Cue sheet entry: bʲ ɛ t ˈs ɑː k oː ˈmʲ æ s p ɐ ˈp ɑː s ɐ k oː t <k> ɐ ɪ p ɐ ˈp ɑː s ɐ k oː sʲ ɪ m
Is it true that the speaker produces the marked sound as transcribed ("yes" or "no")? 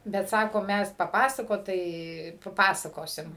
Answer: no